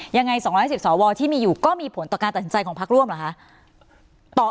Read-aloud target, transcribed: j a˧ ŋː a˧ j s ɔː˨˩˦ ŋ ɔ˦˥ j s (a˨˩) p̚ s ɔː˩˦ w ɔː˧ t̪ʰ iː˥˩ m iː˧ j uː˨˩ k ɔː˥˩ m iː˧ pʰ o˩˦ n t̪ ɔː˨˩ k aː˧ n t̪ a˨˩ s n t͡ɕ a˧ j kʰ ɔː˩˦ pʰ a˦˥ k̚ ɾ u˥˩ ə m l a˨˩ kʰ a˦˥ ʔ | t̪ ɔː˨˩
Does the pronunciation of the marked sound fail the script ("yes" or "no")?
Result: yes